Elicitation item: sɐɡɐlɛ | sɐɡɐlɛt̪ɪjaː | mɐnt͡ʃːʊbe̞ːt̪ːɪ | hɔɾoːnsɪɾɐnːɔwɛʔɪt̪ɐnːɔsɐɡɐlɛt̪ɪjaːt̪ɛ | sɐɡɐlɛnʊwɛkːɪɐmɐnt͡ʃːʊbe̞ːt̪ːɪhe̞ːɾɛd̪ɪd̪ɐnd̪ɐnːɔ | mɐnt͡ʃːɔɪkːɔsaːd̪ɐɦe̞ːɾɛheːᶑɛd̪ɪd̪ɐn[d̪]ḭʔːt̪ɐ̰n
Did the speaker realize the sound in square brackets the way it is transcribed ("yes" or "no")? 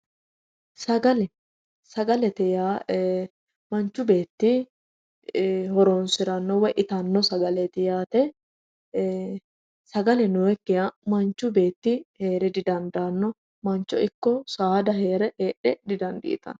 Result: yes